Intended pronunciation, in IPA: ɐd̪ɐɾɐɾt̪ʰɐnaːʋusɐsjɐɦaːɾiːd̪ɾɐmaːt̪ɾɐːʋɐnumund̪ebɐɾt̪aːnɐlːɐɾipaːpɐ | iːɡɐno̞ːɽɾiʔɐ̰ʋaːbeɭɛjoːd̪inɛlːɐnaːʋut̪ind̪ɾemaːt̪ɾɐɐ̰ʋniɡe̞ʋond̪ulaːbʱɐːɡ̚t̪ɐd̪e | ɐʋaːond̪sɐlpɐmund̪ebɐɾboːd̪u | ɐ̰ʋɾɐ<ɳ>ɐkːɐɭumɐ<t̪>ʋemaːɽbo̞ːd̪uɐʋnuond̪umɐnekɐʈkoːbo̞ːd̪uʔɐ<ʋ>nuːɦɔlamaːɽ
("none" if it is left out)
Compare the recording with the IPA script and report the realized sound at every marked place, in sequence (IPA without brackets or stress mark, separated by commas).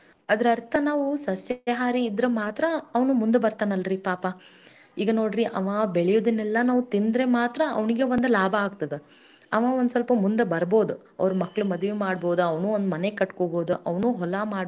m, d̪, ʋ